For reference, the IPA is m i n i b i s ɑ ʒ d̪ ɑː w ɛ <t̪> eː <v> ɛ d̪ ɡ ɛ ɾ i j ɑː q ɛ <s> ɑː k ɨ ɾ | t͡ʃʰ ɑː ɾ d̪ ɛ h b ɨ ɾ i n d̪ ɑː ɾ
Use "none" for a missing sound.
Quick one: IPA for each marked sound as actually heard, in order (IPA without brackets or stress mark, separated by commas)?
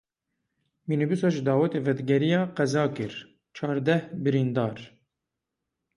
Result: t̪, v, z